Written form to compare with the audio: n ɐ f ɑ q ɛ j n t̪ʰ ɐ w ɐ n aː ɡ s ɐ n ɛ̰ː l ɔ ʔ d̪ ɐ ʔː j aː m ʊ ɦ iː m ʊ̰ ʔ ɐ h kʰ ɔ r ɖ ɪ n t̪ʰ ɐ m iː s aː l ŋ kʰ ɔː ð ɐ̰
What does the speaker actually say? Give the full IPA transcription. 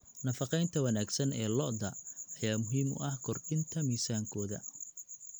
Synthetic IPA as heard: n ɐ f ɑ q ɛ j n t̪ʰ ɐ w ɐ n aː ɡ s ɐ n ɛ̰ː l ɔ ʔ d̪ ɐ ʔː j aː m ʊ ɦ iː m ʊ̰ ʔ ɐ h kʰ ɔ r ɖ ɪ n t̪ʰ ɐ m iː s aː ŋ kʰ ɔː ð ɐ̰

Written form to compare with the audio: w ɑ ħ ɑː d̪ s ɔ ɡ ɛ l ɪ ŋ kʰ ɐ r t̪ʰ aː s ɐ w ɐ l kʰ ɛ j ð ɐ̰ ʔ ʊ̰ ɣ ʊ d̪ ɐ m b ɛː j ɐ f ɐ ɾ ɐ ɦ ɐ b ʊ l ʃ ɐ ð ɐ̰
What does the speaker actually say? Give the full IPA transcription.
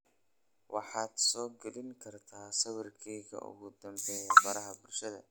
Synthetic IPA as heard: w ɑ ħ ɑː d̪ s ɔː ɡ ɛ l ɪ ŋ kʰ ɐ r t̪ʰ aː s ɐ w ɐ r kʰ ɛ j ɣ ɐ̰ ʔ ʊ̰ ɣ ʊ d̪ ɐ m b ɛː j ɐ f ɐ ɾ ɐ ɦ ɐ b ʊ l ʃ ɐ ð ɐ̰

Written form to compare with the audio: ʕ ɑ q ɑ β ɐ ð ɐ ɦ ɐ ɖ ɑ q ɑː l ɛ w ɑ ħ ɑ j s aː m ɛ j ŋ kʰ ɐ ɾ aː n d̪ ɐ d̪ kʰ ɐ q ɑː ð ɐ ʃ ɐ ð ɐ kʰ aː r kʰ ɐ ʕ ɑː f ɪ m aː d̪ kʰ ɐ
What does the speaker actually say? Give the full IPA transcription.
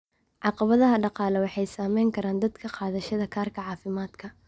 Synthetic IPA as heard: ʕ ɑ q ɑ β ɐ ð ɐ ɦ ɐ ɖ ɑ q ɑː l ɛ w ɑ ħ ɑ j s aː m ɛ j ŋ kʰ ɐ ɾ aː n d̪ ɐ d̪ kʰ ɐ q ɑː ð ɐ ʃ ɐ ð ɐ kʰ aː r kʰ ɐ ʕ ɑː f ɪ m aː d̪ kʰ ɐ

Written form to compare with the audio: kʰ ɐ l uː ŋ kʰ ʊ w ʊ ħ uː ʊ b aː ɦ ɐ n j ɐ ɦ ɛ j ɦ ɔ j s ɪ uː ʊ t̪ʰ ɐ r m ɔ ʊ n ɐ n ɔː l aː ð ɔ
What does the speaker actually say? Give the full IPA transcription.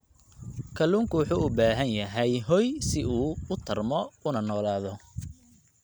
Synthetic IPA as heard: kʰ ɐ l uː ŋ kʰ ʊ w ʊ ħ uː ʊ b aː ɦ ɐ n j ɐ ɦ ɛ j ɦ ɔ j s ɪ uː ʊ t̪ʰ ɐ r m ɔ ʊ n ɐ n ɔː l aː ð ɔ

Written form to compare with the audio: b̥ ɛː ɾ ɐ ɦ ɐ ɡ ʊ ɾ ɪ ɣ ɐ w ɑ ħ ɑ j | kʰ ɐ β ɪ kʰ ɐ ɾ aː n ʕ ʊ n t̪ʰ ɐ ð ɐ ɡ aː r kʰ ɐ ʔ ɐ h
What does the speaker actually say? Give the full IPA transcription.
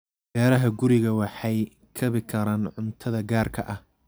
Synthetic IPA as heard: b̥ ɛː ɾ ɐ ɦ ɐ ɡ ʊ ɾ ɪ ɣ ɐ w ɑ ħ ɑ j | kʰ ɐ β ɪ kʰ ɐ ɾ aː n ʕ ʊ n t̪ʰ ɐ ð ɐ ɡ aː r kʰ ɐ ʔ ɐ h

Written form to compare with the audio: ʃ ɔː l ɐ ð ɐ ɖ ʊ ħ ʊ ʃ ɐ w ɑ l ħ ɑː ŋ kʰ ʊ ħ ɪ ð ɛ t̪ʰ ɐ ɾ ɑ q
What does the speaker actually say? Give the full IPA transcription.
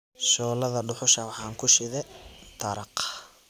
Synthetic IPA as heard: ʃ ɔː l ɐ ð ɐ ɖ ʊ ħ ʊ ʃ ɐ w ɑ ħ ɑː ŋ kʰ ʊ ʃ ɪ ð ɛ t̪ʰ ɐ ɾ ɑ q

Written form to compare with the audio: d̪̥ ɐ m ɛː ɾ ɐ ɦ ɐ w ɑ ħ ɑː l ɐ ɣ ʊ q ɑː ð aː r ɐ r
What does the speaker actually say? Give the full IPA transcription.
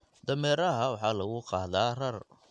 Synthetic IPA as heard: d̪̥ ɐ m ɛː ɾ ɐ ɦ ɐ w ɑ ħ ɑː l ɐ ɣ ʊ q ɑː ð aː r ɐ r

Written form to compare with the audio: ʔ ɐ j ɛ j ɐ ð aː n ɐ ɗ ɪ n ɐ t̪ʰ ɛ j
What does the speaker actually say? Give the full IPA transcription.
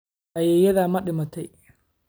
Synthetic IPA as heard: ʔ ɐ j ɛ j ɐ ð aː m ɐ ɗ ɪ m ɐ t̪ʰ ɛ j

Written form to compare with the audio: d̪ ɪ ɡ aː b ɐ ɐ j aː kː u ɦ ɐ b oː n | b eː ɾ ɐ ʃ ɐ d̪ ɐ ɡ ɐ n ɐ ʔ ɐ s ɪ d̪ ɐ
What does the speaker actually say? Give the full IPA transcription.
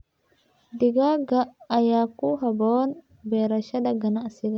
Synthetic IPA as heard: d̪ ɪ ɡ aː ɡ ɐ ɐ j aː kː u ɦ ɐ b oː n | b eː ɾ ɐ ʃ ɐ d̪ ɐ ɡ ɐ n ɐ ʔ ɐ s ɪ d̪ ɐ

